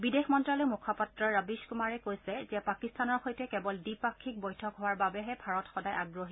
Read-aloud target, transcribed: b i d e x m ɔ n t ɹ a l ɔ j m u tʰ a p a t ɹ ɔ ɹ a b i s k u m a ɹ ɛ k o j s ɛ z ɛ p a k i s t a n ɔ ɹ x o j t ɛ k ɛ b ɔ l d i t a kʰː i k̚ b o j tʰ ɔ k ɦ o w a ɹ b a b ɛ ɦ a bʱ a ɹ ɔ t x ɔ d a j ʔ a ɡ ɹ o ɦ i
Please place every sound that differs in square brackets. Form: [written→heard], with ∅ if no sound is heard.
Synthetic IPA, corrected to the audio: b i d e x m ɔ n t ɹ a l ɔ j m u [tʰ→kʰ] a p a t ɹ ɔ ɹ a b i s k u m a ɹ ɛ k o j s ɛ z ɛ p a k i s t a n ɔ ɹ x o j t ɛ k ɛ b ɔ l d i [t→p] a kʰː i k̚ b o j tʰ ɔ k ɦ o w a ɹ b a b ɛ ɦ [a→ɛ] bʱ a ɹ ɔ t x ɔ d a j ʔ a ɡ ɹ o ɦ i